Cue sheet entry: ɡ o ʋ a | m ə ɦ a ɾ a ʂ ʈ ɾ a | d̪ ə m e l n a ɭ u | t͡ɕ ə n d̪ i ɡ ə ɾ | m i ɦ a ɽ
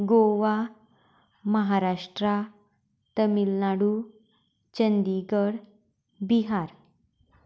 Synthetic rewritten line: ɡ o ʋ a | m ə ɦ a ɾ a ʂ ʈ ɾ a | t̪ ə m i l n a ɽ u | t͡ɕ ə n d̪ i ɡ ə ɽ | b i ɦ a ɾ